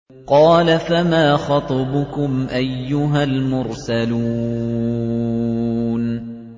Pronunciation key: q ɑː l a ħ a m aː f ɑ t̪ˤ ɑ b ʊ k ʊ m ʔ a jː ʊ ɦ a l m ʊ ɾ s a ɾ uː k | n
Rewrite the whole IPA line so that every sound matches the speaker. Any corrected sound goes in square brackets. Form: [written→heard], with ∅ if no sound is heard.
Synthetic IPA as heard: q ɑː l a [ħ→f] a m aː [f→x] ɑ t̪ˤ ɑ b ʊ k ʊ m ʔ a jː ʊ ɦ a l m ʊ ɾ s a [ɾ→l] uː [k→∅] | n